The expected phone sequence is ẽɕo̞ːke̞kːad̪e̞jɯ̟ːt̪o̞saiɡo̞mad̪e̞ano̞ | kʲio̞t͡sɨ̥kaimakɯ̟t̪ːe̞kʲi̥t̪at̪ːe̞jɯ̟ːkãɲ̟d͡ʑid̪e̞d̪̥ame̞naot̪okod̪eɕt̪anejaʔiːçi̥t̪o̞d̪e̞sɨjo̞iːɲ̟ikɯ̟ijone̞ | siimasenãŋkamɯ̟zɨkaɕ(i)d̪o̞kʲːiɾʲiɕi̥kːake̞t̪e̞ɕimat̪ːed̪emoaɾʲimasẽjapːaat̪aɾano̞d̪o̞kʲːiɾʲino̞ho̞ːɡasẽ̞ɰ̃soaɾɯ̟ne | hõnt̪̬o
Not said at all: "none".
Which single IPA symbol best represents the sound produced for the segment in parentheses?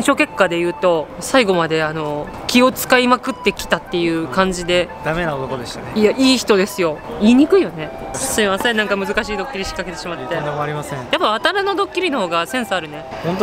iː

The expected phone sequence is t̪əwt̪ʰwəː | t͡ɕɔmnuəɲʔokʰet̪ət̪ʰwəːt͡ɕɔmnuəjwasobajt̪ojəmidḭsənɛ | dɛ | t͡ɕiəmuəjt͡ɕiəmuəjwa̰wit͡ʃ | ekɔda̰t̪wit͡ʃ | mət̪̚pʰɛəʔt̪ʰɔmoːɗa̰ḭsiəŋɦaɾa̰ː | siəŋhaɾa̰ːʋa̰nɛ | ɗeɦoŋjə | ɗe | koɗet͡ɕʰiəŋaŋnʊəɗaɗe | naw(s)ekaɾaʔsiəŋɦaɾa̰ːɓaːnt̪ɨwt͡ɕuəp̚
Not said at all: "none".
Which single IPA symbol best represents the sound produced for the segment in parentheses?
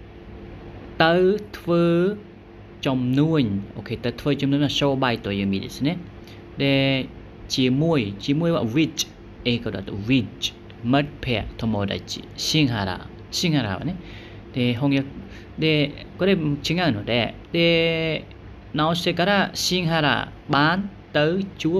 s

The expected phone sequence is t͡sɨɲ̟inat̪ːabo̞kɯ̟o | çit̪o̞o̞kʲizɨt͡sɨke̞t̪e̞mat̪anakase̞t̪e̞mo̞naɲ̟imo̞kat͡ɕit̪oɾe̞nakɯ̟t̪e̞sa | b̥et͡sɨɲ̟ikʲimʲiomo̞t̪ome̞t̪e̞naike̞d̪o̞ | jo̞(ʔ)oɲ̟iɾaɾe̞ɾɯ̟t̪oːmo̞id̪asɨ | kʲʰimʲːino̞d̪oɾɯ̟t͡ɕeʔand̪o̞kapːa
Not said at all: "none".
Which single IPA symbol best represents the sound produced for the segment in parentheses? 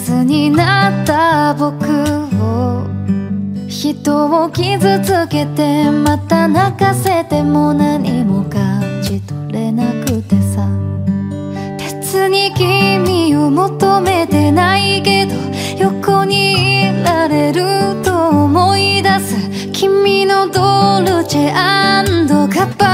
k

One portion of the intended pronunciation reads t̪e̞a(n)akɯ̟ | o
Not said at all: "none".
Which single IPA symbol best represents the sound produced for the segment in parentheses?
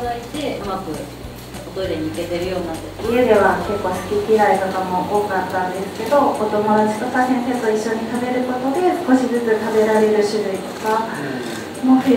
m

